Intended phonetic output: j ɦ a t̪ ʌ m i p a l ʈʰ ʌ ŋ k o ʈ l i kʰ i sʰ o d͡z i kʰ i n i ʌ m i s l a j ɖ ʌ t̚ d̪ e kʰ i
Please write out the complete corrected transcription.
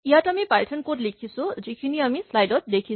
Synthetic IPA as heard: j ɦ a t̪ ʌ m i p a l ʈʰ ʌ n k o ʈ l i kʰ i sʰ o d͡z i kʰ i n i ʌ m i s l a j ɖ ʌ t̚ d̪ e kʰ i